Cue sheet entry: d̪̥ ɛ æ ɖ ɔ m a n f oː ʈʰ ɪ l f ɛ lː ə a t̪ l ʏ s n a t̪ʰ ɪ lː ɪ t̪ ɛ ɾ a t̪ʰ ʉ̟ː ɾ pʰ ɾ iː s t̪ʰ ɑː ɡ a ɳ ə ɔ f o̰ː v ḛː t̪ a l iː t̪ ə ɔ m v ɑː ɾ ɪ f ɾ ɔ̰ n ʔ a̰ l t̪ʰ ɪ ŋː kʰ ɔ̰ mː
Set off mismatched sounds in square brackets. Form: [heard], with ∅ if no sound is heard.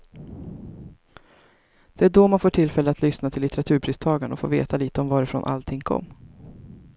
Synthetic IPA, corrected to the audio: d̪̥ ɛ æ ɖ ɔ m a n f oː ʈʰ ɪ l f ɛ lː ə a t̪ l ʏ s n a t̪ʰ ɪ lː ɪ t̪ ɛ ɾ a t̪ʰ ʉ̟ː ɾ pʰ ɾ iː s t̪ʰ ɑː ɡ a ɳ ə ɔ f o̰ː v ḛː t̪ a l iː t̪ ə ɔ m v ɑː ɾ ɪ f ɾ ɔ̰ n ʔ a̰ l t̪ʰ ɪ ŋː kʰ ɔ̰ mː